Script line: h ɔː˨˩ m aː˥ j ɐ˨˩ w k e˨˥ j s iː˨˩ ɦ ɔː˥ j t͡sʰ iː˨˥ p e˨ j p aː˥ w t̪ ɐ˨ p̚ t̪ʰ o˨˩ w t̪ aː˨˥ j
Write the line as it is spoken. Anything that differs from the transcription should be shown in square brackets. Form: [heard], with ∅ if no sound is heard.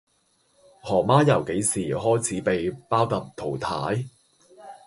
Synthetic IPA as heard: h ɔː˨˩ m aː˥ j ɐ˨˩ w k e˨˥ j s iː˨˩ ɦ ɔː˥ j t͡sʰ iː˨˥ p e˨ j p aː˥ w t̪ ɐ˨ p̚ t̪ʰ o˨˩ w [t̪ʰ] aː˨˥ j